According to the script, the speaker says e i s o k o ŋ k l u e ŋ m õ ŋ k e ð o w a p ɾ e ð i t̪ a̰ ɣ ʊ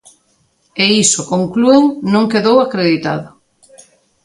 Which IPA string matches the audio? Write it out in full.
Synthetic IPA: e i s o k o ŋ k l u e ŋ n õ ŋ k e ð o w a k ɾ e ð i t̪ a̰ ð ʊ